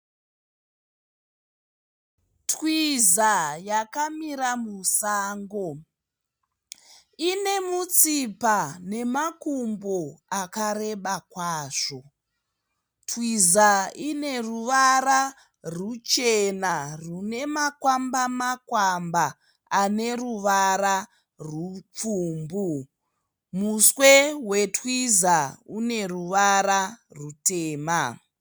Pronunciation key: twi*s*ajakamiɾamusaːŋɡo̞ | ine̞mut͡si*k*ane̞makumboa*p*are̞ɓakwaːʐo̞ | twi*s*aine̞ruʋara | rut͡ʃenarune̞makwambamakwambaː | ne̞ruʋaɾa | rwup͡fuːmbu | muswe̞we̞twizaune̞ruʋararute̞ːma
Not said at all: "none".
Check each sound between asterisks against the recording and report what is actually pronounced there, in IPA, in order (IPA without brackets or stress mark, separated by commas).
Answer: z, p, k, z